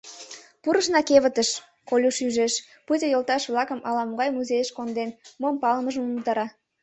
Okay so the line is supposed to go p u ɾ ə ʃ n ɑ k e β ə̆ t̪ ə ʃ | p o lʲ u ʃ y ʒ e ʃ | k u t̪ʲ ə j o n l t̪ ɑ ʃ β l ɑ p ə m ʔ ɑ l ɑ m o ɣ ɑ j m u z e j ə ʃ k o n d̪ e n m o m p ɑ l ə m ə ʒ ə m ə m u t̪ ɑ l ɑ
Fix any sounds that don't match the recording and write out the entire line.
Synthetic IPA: p u ɾ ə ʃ n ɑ k e β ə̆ t̪ ə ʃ | k o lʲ u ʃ y ʒ e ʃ | p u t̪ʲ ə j o l t̪ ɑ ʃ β l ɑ k ə m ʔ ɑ l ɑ m o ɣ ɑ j m u z e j ə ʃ k o n d̪ e n m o m p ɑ l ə m ə ʒ ə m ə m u t̪ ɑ ɾ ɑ